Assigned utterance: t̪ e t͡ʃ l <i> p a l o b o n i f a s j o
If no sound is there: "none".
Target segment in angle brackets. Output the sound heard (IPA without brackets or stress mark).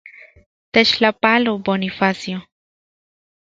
a